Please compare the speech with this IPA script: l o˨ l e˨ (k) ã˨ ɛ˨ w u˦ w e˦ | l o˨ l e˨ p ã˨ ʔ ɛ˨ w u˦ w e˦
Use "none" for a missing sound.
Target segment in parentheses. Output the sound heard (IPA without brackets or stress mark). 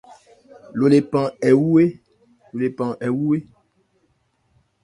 p